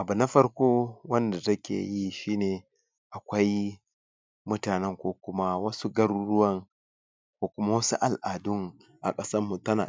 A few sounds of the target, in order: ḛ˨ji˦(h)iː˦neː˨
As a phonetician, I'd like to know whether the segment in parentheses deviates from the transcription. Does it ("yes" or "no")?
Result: yes